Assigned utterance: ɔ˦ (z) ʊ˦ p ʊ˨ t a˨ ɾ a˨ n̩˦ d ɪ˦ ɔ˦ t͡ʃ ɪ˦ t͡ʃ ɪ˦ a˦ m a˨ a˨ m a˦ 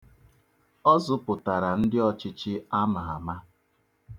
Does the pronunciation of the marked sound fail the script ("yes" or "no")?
no